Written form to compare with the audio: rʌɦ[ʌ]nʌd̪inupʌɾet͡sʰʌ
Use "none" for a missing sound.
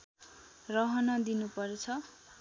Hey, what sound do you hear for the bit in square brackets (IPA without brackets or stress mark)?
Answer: ʌ